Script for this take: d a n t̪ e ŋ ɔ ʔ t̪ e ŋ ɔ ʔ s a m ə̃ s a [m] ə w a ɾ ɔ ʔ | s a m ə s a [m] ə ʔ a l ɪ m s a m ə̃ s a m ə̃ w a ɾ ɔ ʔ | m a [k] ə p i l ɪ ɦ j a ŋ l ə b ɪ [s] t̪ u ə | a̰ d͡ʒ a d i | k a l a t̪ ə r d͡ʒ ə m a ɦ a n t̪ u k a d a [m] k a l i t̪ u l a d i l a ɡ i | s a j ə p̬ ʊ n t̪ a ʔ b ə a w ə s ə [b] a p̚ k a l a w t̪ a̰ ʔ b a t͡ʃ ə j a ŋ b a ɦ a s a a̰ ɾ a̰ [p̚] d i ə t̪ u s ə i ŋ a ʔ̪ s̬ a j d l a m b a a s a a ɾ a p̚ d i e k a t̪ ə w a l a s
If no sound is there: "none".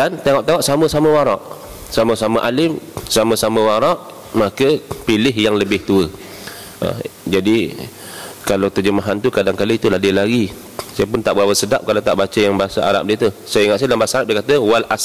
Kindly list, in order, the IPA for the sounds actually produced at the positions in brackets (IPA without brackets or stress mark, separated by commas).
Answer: m, m, k, h, ŋ, d, p̚